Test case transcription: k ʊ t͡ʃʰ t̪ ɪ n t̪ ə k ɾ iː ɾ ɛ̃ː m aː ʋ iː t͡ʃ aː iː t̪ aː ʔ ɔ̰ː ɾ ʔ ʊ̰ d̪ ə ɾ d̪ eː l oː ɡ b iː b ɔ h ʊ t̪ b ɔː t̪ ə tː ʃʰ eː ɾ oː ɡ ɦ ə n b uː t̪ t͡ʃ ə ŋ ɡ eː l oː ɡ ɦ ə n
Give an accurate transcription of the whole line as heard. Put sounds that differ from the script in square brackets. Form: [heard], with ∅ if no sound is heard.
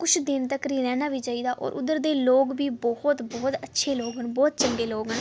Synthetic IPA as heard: k ʊ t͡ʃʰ [d̪] ɪ n t̪ ə k ɾ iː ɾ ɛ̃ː [n] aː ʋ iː t͡ʃ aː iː [d̪] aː ʔ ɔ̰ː ɾ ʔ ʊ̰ d̪ ə ɾ d̪ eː l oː ɡ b iː b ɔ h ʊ t̪ b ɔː t̪ ə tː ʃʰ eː [l] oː ɡ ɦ ə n b [ɔː] t̪ t͡ʃ ə ŋ ɡ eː l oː ɡ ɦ ə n